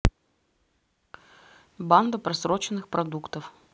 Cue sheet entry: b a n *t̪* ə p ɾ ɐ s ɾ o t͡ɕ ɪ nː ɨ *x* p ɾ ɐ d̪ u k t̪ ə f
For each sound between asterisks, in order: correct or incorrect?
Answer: incorrect: d̪, correct

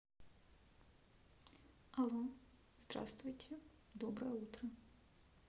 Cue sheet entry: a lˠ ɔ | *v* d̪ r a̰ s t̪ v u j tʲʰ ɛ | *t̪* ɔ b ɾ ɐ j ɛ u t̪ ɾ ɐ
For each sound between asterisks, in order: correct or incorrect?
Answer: incorrect: z, incorrect: d̪

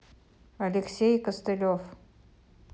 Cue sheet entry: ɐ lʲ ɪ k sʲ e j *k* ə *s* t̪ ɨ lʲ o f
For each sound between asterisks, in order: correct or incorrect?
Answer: correct, correct

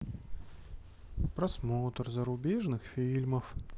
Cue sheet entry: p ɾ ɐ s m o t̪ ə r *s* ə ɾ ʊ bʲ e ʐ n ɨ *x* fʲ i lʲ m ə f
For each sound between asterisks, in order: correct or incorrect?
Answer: incorrect: z, correct

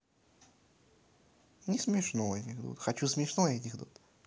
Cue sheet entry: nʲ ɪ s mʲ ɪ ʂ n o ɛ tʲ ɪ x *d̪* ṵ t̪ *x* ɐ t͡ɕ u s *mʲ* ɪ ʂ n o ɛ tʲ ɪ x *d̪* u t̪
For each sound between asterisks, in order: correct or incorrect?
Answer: correct, correct, correct, correct

